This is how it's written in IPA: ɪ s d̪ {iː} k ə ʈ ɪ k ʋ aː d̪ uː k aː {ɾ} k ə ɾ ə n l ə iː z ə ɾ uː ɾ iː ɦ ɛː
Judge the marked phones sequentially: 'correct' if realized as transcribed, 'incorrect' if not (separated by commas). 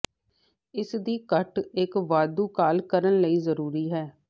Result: correct, incorrect